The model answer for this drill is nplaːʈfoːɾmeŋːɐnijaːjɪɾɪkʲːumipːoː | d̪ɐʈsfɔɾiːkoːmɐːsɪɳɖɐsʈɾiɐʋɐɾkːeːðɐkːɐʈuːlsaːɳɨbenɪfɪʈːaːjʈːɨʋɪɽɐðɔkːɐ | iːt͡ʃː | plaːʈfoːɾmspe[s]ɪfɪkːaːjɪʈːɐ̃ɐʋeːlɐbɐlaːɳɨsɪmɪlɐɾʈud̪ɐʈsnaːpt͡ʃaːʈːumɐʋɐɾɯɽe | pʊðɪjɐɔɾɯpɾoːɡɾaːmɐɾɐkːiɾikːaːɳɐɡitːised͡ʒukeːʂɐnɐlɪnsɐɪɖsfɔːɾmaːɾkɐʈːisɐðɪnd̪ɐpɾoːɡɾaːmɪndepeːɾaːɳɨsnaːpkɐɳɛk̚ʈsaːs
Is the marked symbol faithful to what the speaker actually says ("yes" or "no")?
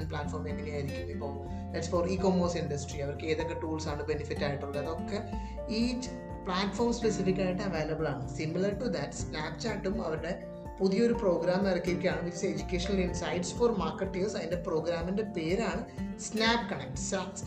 yes